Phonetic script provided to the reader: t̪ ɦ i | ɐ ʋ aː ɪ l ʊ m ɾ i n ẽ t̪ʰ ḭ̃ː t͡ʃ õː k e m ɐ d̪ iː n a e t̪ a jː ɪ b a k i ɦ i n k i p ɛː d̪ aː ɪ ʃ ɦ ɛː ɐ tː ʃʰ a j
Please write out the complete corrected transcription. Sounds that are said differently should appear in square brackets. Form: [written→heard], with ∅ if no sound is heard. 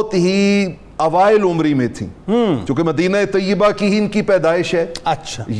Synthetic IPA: t̪ ɦ i | ɐ ʋ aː ɪ l ʊ m ɾ i [n→m] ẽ t̪ʰ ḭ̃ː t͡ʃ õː k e m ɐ d̪ iː n a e t̪ [a→ɐ] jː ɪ b a k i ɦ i n k i p ɛː d̪ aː ɪ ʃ ɦ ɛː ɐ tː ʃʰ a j